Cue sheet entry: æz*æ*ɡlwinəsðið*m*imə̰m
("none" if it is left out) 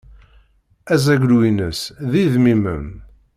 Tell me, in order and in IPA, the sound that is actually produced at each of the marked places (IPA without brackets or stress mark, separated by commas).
æ, m